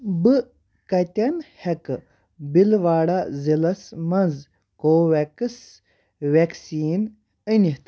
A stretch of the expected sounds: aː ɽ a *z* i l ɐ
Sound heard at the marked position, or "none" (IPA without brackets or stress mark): z